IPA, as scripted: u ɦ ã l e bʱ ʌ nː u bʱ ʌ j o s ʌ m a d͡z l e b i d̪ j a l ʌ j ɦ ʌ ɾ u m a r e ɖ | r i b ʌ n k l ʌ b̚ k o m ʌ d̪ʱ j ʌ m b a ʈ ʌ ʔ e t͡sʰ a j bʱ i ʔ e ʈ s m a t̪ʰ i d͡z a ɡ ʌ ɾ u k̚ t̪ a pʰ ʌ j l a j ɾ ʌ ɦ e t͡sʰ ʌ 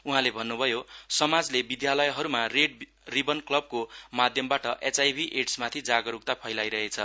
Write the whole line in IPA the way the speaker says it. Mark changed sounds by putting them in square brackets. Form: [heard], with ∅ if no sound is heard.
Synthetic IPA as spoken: u ɦ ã l e bʱ ʌ nː u bʱ ʌ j o s ʌ m a d͡z l e b i d̪ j a l ʌ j ɦ ʌ ɾ u m a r e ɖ | r i b ʌ n k l ʌ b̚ k o m [a] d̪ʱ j ʌ m b a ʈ ʌ ʔ e [t͡s] a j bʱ i ʔ e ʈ s m a t̪ʰ i d͡z a ɡ ʌ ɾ u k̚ t̪ a pʰ ʌ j l a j ɾ ʌ ɦ e t͡sʰ ʌ